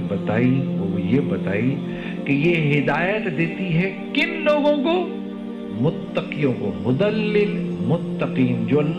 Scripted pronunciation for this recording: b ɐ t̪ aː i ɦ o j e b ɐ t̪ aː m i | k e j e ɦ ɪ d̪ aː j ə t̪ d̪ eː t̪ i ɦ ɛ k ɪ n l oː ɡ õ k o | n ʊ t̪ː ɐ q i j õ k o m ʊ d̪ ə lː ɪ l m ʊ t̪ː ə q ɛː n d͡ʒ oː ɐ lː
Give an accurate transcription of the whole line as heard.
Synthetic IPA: b ɐ t̪ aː i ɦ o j e b ɐ t̪ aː i | k e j e ɦ ɪ d̪ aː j ə t̪ d̪ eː t̪ i ɦ ɛ k ɪ n l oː ɡ õ k o | m ʊ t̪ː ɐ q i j õ k o m ʊ d̪ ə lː ɪ l m ʊ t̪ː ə q iː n d͡ʒ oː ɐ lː